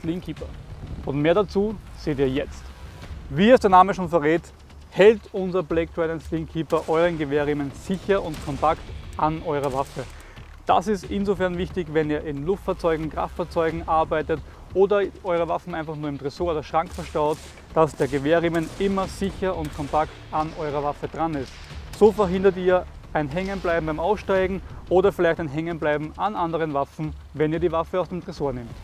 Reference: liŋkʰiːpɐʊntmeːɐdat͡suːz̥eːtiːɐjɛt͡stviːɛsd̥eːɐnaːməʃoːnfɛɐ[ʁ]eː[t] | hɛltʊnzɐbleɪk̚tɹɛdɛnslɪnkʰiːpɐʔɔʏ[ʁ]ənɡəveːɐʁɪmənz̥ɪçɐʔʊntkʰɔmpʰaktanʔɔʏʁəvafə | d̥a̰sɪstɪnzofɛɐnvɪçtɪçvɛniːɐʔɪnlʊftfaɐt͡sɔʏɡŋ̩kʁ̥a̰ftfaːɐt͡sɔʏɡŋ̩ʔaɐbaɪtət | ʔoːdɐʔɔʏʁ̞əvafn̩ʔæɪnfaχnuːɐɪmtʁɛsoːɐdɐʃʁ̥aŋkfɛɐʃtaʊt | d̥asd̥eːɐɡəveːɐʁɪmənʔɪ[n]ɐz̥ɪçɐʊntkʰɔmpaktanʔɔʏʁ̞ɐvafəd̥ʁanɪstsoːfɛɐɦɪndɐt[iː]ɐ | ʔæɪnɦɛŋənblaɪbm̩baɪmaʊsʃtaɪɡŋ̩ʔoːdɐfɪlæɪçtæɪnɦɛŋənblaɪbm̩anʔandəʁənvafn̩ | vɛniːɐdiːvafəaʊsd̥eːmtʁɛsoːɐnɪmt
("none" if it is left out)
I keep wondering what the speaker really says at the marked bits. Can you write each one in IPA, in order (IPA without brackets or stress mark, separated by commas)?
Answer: ʁ, t, ʁ, m, iː